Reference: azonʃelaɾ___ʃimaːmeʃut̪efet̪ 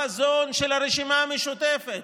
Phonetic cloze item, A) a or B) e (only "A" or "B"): B